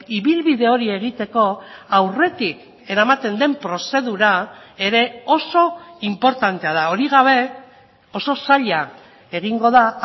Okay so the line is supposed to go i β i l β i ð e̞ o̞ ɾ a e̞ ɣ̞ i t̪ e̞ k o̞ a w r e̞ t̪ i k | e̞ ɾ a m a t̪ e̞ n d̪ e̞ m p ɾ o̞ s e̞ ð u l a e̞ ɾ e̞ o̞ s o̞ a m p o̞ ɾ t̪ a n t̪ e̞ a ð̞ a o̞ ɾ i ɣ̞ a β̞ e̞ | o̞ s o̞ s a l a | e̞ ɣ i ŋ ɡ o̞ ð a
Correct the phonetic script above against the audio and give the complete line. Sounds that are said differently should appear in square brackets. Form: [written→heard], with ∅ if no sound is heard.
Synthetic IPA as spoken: i β i l β i ð e̞ o̞ ɾ [a→i] e̞ ɣ̞ i t̪ e̞ k o̞ a w r e̞ t̪ i k | e̞ ɾ a m a t̪ e̞ n d̪ e̞ m p ɾ o̞ s e̞ ð u [l→ɾ] a e̞ ɾ e̞ o̞ s o̞ [a→i] m p o̞ ɾ t̪ a n t̪ e̞ a ð̞ a o̞ ɾ i ɣ̞ a β̞ e̞ | o̞ s o̞ s a [l→ʎ] a | e̞ ɣ i ŋ ɡ o̞ ð a

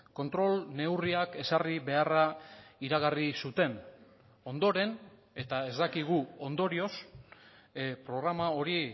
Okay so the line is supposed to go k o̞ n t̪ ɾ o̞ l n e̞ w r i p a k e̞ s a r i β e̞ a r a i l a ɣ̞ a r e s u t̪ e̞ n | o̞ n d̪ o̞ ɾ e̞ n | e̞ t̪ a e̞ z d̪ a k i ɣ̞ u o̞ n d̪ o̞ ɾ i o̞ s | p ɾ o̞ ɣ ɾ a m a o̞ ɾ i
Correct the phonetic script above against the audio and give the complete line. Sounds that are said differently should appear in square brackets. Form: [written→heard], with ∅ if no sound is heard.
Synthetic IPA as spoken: k o̞ n t̪ ɾ o̞ l n e̞ w r i [p→∅] a k e̞ s a r i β e̞ a r a i [l→ɾ] a ɣ̞ a r [e→i] s u t̪ e̞ n | o̞ n d̪ o̞ ɾ e̞ n | e̞ t̪ a e̞ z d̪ a k i ɣ̞ u o̞ n d̪ o̞ ɾ i o̞ s | p ɾ o̞ ɣ ɾ a m a o̞ ɾ i

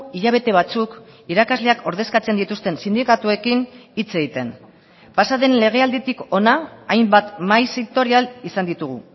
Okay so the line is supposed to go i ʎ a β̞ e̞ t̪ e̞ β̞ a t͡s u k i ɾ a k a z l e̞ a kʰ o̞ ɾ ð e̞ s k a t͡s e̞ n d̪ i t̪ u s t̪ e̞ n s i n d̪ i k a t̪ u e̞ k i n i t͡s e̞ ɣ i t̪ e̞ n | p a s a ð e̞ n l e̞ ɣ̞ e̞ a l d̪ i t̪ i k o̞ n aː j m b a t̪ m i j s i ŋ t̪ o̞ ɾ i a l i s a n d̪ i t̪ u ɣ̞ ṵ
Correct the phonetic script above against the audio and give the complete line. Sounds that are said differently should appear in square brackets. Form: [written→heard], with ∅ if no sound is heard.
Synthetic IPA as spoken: i ʎ a β̞ e̞ t̪ e̞ β̞ a t͡s u k i ɾ a k a z l e̞ a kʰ o̞ ɾ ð e̞ s k a t͡s e̞ n d̪ i t̪ u s t̪ e̞ n s i n d̪ i k a t̪ u e̞ k i n i t͡s e̞ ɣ i t̪ e̞ n | p a s a ð e̞ n l e̞ ɣ̞ e̞ a l d̪ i t̪ i k o̞ n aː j m b a t̪ m [i→a] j s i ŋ t̪ o̞ ɾ i a l i s a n d̪ i t̪ u ɣ̞ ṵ

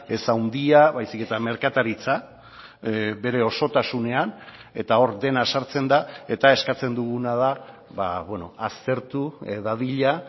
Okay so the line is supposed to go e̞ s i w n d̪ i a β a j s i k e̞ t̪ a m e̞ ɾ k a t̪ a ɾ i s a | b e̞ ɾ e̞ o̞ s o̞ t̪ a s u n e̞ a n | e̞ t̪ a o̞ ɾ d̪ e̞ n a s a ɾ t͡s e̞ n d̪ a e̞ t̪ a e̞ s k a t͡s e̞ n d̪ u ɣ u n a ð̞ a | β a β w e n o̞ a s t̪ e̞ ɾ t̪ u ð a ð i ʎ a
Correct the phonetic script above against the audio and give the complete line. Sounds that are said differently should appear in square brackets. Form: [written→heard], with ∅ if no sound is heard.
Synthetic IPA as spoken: e̞ s [i→a] w n d̪ i a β a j s i k e̞ t̪ a m e̞ ɾ k a t̪ a ɾ i [s→t͡s] a | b e̞ ɾ e̞ o̞ s o̞ t̪ a s u n e̞ a n | e̞ t̪ a o̞ ɾ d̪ e̞ n a s a ɾ t͡s e̞ n d̪ a e̞ t̪ a e̞ s k a t͡s e̞ n d̪ u ɣ u n a ð̞ a | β a β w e n o̞ a s t̪ e̞ ɾ t̪ u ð a ð i ʎ a

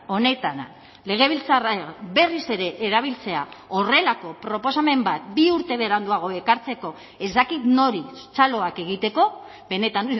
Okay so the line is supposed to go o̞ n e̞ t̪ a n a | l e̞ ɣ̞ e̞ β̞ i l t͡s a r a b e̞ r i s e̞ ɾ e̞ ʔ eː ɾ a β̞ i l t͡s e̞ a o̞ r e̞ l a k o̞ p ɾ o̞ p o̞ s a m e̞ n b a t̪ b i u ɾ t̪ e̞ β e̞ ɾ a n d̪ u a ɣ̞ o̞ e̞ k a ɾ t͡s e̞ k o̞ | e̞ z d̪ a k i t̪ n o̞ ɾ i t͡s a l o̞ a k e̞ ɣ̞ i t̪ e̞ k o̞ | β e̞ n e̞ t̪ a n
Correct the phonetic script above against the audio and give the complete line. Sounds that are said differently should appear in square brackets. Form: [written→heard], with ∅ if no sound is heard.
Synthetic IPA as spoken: o̞ n e̞ t̪ a n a | l e̞ ɣ̞ e̞ β̞ i l t͡s a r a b e̞ r i s e̞ ɾ e̞ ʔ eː ɾ a β̞ i l t͡s e̞ a o̞ r e̞ l a k o̞ p ɾ o̞ p o̞ s a m e̞ [n→m] b a t̪ b i u ɾ t̪ e̞ β e̞ ɾ a n d̪ u a ɣ̞ o̞ e̞ k a ɾ t͡s e̞ k o̞ | e̞ z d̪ a k i t̪ n o̞ ɾ i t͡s a l o̞ a k e̞ ɣ̞ i t̪ e̞ k o̞ | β e̞ n e̞ t̪ a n

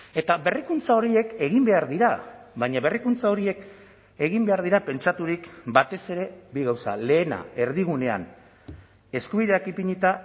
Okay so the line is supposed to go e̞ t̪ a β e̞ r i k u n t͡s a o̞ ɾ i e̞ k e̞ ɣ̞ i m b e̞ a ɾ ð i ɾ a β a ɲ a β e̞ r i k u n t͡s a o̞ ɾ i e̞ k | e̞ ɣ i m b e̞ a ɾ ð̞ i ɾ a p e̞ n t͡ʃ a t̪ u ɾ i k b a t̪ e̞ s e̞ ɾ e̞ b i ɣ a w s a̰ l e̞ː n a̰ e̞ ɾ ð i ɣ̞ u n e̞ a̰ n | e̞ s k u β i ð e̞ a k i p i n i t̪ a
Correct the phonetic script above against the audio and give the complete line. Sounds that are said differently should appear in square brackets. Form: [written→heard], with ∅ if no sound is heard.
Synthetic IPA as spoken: e̞ t̪ a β e̞ r i k u n t͡s a o̞ ɾ i e̞ k e̞ ɣ̞ i m b e̞ a ɾ ð i ɾ a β a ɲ a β e̞ r i k u n t͡s a o̞ ɾ i e̞ k | e̞ ɣ i m b e̞ a ɾ ð̞ i ɾ a p e̞ n t͡ʃ a t̪ u ɾ i k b a t̪ e̞ s e̞ ɾ e̞ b i ɣ a w s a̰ l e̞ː n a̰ e̞ ɾ ð i ɣ̞ u n e̞ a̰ n | e̞ s k u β i ð e̞ a k i p i [n→ɲ] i t̪ a

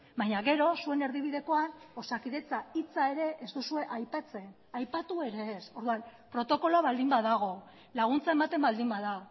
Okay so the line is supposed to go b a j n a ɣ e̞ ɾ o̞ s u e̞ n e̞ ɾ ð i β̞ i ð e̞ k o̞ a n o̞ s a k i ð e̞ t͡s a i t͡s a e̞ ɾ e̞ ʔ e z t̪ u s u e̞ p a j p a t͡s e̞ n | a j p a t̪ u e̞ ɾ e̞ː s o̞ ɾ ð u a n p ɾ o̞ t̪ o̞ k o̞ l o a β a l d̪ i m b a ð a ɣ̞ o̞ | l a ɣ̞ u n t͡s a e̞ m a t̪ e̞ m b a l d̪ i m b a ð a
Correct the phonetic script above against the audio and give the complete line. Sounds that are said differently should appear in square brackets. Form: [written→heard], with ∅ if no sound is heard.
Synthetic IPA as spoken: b a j [n→ɲ] a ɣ e̞ ɾ o̞ s u e̞ n e̞ ɾ ð i β̞ i ð e̞ k o̞ a n o̞ s a k i ð e̞ t͡s a i t͡s a e̞ ɾ e̞ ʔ e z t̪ u s u e̞ [p→ʔ] a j p a t͡s e̞ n | a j p a t̪ u e̞ ɾ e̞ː s o̞ ɾ ð u a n p ɾ o̞ t̪ o̞ k o̞ l o a β a l d̪ i m b a ð a ɣ̞ o̞ | l a ɣ̞ u n t͡s a e̞ m a t̪ e̞ m b a l d̪ i m b a ð a

